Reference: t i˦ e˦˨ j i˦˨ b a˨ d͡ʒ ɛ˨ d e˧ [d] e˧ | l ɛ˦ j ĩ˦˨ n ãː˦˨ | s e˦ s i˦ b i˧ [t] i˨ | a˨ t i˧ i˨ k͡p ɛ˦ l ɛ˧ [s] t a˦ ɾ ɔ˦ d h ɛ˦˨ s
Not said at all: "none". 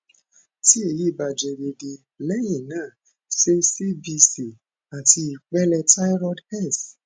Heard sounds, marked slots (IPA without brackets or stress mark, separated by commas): d, s, none